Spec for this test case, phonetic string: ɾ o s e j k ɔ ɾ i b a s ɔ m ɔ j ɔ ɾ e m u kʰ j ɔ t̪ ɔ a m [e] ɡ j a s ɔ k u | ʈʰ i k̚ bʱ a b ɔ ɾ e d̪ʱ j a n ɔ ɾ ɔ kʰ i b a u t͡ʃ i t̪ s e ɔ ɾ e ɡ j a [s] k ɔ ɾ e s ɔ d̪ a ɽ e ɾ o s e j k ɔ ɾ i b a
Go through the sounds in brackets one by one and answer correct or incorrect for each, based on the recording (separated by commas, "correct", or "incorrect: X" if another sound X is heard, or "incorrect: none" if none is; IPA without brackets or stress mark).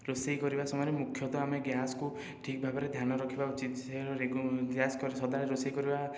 correct, correct